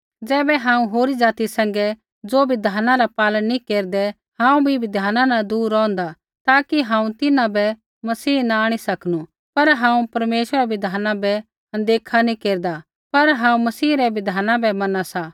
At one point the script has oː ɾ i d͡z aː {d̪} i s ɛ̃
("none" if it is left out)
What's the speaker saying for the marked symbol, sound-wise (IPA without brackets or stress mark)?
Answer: t̪